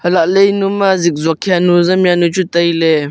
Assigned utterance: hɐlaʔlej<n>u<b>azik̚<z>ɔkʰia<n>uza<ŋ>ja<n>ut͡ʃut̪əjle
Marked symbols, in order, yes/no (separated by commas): yes, no, yes, yes, no, yes